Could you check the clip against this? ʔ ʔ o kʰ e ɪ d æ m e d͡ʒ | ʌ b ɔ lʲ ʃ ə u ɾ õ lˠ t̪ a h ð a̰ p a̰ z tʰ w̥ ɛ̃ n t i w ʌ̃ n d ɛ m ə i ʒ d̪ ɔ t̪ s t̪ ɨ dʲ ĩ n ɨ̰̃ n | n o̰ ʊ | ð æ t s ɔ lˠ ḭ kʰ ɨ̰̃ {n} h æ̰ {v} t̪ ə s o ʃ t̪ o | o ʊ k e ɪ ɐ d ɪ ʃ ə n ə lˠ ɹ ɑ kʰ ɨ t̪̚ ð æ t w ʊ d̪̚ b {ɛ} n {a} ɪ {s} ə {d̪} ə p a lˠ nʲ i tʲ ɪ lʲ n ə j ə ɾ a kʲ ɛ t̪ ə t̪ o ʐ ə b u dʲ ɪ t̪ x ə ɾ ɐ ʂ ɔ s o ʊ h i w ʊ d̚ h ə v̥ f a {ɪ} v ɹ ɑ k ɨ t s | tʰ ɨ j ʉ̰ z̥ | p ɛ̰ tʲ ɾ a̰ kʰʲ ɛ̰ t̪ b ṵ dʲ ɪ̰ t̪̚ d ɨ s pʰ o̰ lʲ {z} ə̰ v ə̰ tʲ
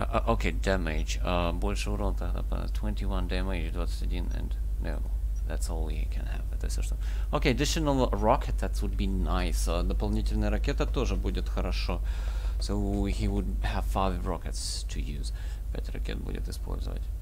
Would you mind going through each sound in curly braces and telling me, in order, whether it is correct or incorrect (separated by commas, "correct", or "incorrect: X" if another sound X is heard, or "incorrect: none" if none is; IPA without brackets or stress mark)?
correct, correct, incorrect: i, correct, correct, correct, correct, correct